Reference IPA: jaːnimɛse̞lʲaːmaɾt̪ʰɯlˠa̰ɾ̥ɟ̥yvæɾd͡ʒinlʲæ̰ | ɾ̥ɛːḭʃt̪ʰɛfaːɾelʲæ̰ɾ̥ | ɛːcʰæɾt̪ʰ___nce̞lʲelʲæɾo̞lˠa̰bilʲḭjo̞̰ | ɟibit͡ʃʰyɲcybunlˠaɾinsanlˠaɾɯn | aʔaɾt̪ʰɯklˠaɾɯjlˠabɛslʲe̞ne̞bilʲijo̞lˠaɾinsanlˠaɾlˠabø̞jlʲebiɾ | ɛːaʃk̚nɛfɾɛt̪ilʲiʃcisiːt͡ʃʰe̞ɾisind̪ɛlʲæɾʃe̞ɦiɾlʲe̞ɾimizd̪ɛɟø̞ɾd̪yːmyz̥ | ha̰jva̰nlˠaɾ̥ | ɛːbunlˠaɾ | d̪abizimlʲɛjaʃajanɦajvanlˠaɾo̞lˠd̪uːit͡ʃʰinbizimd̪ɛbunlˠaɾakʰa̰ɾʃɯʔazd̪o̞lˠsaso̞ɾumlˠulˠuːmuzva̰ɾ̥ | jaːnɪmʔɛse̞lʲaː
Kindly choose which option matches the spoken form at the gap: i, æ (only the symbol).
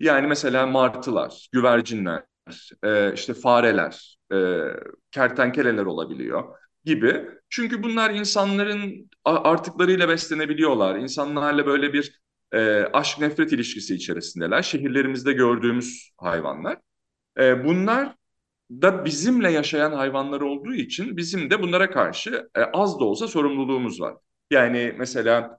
æ